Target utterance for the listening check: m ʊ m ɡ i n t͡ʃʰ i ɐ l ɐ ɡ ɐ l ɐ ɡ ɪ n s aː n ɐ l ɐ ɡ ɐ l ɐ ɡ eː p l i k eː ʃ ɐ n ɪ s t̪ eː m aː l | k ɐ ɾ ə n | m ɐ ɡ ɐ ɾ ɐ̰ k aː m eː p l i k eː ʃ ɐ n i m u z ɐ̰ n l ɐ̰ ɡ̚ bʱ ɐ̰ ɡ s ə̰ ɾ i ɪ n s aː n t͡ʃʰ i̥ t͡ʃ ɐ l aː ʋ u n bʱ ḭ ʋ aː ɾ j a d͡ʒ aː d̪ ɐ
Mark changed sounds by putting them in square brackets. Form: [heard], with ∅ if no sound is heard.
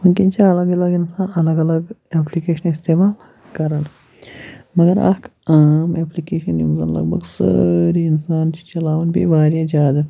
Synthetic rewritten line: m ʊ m [k] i n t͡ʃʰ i ɐ l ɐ ɡ ɐ l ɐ ɡ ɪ n s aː n ɐ l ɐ ɡ ɐ l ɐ ɡ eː p l i k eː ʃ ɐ n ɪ s t̪ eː m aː l | k ɐ ɾ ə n | m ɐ ɡ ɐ ɾ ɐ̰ k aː m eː p l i k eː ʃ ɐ n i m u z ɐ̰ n l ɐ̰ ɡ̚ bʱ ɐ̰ ɡ s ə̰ ɾ i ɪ n s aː n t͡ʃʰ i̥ t͡ʃ ɐ l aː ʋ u n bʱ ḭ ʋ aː ɾ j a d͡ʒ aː d̪ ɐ